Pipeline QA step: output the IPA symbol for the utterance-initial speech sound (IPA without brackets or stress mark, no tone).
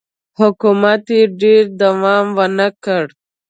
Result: h